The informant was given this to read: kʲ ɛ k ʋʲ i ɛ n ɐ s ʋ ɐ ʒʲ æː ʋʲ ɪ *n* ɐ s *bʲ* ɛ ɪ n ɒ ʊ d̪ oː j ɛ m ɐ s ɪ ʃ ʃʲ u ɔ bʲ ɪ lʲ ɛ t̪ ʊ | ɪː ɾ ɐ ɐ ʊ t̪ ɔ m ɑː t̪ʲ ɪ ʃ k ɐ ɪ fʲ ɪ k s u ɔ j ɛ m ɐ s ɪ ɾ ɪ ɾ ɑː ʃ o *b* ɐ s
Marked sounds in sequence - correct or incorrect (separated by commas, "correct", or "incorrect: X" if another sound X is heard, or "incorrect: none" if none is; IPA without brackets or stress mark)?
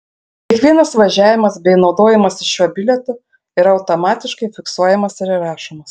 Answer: incorrect: m, correct, incorrect: m